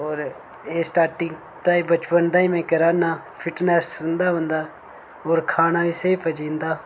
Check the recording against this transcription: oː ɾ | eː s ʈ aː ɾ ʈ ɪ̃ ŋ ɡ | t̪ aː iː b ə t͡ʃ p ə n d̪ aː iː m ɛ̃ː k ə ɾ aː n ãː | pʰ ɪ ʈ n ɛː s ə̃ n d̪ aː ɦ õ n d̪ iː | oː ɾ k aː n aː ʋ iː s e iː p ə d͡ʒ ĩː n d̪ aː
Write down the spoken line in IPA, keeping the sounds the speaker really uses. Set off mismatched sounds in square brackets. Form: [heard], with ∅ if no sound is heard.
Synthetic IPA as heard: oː ɾ | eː s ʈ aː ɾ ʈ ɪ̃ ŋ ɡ | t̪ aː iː b ə t͡ʃ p ə n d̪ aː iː m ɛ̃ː k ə ɾ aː n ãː | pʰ ɪ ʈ n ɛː s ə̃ n d̪ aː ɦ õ n d̪ [aː] | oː ɾ [kʰ] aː n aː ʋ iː s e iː p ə d͡ʒ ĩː n d̪ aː